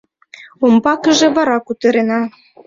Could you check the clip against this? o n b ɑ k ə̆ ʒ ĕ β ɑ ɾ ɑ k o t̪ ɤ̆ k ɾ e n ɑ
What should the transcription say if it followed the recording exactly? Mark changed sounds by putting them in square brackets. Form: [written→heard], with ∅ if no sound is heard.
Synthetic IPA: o [n→m] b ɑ k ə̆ ʒ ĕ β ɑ ɾ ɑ k [o→u] t̪ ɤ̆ [k→∅] ɾ e n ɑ